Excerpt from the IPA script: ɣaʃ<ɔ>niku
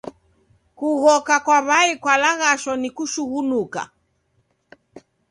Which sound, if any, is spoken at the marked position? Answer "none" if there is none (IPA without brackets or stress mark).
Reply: ɔ